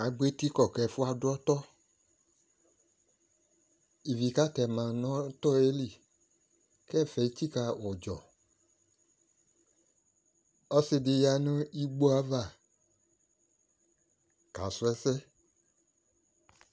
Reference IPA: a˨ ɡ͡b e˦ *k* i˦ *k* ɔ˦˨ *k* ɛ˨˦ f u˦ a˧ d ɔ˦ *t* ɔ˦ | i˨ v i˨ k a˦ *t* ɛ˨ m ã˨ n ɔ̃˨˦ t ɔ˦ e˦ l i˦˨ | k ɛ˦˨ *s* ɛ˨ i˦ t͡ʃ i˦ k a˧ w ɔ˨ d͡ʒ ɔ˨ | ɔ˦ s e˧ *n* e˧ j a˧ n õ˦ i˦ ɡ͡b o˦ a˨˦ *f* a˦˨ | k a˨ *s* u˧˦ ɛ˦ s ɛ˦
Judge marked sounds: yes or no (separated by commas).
no, yes, yes, yes, yes, no, no, no, yes